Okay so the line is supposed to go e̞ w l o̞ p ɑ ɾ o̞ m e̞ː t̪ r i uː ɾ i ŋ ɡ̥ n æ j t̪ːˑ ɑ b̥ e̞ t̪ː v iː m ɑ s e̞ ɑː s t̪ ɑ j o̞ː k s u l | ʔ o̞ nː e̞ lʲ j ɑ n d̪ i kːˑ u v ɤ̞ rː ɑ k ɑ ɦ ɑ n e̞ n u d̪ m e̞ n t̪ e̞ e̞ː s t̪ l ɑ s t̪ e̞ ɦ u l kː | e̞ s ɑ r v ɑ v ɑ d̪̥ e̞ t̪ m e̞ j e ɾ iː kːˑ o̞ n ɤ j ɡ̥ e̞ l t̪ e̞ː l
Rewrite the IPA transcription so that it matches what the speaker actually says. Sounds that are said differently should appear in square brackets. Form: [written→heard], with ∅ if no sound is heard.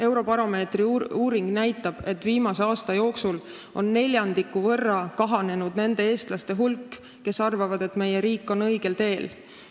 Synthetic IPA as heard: e̞ w [l→ɾ] o̞ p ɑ ɾ o̞ m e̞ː t̪ r i uː ɾ i ŋ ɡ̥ n æ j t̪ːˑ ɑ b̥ e̞ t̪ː v iː m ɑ s e̞ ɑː s t̪ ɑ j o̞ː k s u l | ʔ o̞ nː e̞ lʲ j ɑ n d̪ i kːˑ u v ɤ̞ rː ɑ k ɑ ɦ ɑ n e̞ n u d̪ [m→n] e̞ n [t̪→d̪] e̞ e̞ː s t̪ l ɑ s t̪ e̞ ɦ u l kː | e̞ s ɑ r v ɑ v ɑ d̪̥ e̞ t̪ m e̞ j e ɾ iː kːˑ o̞ n ɤ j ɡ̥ e̞ l t̪ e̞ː l